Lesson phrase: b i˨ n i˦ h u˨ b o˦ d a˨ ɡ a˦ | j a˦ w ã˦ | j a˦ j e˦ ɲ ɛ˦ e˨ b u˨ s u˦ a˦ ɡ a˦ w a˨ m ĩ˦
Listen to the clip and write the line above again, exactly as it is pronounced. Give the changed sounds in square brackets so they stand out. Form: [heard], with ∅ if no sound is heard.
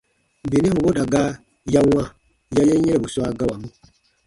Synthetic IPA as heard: b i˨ n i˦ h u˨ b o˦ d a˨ ɡ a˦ | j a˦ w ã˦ | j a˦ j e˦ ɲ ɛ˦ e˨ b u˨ s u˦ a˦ ɡ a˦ w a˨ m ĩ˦